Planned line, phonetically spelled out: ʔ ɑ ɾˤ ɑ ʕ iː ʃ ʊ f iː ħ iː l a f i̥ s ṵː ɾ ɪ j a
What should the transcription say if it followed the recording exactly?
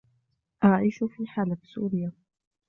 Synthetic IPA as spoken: ʔ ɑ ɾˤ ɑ ʕ iː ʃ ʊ f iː ħ aː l a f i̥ s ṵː ɾ ɪ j a